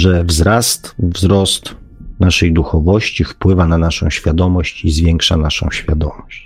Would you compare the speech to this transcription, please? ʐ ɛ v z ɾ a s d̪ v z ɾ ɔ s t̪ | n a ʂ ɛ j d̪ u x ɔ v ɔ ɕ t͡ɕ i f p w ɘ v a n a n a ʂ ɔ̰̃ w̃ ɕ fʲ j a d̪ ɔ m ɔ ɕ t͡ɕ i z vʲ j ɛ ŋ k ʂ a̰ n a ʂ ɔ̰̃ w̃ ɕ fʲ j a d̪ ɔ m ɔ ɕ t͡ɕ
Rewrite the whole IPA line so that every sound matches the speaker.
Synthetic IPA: ʐ ɛ v z ɾ a s t̪ v z ɾ ɔ s t̪ | n a ʂ ɛ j d̪ u x ɔ v ɔ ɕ t͡ɕ i f p w ɘ v a n a n a ʂ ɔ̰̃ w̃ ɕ fʲ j a d̪ ɔ m ɔ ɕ t͡ɕ i z vʲ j ɛ ŋ k ʂ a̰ n a ʂ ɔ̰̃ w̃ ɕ fʲ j a d̪ ɔ m ɔ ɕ t͡ɕ